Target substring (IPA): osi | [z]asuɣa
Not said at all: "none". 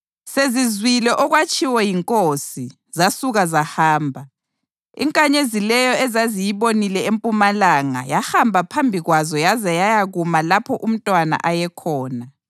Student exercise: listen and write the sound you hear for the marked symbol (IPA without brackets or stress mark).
z